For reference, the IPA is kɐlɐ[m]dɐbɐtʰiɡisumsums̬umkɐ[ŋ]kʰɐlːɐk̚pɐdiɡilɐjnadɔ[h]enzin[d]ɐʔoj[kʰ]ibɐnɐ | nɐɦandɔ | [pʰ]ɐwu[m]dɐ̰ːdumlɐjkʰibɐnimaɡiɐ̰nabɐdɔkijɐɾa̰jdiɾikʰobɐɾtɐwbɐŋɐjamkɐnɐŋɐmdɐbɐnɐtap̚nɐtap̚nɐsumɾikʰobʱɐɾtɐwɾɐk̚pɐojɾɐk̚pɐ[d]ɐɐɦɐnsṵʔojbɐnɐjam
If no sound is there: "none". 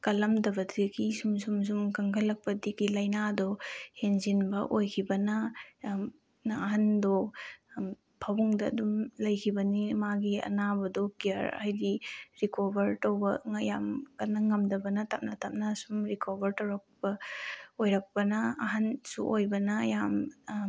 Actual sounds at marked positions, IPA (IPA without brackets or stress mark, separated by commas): m, ŋ, h, b, kʰ, pʰ, ŋ, n